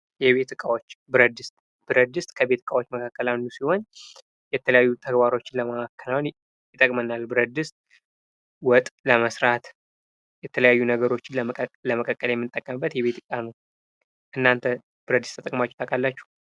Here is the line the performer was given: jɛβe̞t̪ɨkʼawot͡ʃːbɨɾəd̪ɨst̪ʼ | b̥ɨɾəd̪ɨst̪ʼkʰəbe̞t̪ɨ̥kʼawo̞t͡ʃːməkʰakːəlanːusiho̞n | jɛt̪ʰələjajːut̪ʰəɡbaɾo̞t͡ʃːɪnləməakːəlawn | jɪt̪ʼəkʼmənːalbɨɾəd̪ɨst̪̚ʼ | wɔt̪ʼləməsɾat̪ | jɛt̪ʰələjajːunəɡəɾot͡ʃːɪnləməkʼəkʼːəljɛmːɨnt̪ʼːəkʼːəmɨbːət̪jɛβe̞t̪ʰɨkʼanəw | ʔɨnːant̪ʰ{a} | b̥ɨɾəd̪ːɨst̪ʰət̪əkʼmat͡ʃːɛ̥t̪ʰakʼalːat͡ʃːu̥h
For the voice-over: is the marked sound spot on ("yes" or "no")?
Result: no